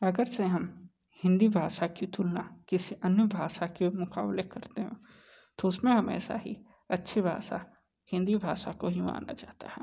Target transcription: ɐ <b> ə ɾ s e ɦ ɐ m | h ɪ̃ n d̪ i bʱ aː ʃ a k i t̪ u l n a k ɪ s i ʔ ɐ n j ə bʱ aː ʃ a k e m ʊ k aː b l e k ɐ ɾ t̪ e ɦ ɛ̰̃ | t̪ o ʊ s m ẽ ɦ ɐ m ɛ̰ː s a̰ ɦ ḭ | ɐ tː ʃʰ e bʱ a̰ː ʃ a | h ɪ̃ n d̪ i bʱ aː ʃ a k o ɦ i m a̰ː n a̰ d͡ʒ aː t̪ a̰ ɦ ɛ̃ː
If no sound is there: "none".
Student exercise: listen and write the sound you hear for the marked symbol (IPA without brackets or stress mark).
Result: ɡ